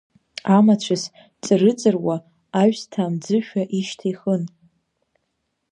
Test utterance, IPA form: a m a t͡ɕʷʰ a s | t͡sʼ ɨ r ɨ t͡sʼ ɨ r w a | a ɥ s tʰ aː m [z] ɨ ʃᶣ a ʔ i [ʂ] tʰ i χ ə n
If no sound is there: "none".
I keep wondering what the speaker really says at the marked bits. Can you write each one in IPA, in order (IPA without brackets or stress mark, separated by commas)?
d͡z, ʃ